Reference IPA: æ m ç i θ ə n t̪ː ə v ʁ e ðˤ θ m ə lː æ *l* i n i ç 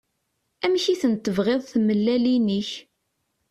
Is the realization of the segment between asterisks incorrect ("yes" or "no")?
no